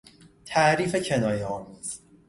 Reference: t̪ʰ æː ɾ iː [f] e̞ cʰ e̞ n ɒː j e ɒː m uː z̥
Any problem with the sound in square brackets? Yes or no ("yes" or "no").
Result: no